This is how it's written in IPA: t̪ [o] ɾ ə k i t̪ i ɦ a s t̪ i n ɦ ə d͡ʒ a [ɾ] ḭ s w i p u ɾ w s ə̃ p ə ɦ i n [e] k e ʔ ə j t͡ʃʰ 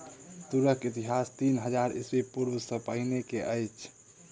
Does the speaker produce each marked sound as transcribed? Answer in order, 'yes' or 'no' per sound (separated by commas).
no, yes, yes